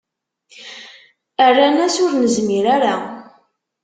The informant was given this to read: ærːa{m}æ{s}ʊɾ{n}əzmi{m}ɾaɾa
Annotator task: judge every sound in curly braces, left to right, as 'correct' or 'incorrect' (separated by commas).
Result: incorrect, correct, correct, incorrect